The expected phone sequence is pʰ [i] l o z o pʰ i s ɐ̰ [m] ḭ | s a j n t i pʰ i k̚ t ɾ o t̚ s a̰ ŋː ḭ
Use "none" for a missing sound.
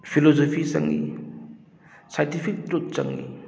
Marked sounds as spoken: i, ŋ

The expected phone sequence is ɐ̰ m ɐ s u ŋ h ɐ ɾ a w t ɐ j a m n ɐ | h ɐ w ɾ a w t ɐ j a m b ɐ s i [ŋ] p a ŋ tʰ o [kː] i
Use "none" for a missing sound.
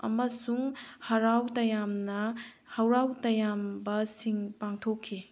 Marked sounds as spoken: ŋ, kʰː

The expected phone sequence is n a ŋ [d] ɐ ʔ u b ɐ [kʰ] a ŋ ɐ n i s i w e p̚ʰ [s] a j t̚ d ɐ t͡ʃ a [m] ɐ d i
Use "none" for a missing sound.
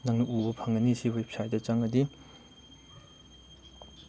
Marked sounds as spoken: n, pʰ, s, ŋ

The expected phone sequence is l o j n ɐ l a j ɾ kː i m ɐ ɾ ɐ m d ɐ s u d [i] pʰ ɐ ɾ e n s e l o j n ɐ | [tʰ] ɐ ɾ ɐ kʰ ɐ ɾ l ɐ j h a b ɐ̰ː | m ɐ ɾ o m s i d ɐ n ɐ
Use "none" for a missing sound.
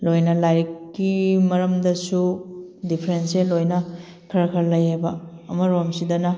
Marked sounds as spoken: i, kʰ

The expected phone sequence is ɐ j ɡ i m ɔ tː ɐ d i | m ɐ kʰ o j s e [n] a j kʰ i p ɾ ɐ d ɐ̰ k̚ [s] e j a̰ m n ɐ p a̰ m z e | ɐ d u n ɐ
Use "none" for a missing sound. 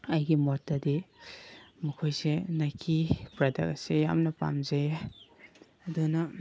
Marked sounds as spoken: n, s

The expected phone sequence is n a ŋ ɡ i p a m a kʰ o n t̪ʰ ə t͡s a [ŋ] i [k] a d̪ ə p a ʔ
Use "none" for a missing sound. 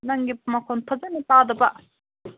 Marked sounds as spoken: n, p

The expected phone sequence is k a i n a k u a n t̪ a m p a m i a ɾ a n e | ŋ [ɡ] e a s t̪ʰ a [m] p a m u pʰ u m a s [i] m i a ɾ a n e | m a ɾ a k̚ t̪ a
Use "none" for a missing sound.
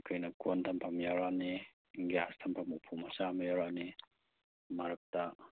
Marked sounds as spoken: ɡ, m, a

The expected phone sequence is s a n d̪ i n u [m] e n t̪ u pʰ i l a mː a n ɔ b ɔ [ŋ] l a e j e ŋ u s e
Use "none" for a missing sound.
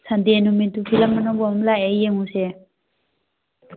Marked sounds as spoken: m, m

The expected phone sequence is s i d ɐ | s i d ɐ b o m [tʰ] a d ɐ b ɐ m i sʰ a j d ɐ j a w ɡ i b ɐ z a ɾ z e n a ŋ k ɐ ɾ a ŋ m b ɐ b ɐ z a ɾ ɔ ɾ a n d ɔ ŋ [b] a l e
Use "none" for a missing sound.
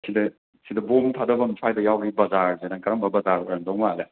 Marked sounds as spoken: tʰ, m

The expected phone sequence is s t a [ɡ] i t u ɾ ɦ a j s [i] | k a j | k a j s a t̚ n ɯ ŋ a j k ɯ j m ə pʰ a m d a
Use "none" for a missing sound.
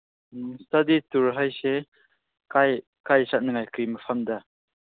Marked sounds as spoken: d, e

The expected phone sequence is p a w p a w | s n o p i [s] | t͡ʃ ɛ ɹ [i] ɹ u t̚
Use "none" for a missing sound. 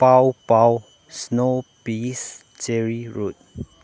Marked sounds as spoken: s, i

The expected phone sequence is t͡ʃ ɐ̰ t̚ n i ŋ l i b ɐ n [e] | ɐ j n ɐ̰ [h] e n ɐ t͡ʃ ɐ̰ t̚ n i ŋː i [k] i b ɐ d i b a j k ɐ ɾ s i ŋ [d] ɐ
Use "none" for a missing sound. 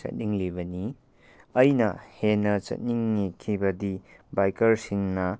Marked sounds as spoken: i, h, kʰ, n

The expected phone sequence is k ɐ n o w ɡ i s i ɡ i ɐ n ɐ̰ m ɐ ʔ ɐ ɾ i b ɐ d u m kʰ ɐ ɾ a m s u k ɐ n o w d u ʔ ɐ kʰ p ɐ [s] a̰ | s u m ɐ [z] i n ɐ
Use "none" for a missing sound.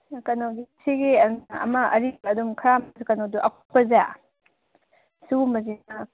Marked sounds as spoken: z, z

